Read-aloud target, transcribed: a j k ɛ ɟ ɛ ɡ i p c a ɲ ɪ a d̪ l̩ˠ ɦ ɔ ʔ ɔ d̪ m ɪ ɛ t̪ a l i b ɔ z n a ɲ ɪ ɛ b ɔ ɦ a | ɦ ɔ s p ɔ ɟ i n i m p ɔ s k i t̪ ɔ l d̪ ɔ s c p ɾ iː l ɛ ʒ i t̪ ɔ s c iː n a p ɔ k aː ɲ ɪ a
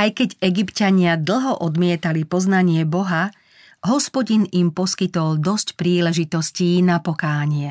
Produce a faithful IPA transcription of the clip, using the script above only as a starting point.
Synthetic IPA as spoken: a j k ɛ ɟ ɛ ɡ i p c a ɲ ɪ a d̪ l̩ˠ ɦ ɔ ʔ ɔ d̪ m ɪ ɛ t̪ a l i p ɔ z n a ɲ ɪ ɛ b ɔ ɦ a | ɦ ɔ s p ɔ ɟ i n i m p ɔ s k i t̪ ɔ l d̪ ɔ s c p ɾ iː l ɛ ʒ i t̪ ɔ s c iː n a p ɔ k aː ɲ ɪ ɛ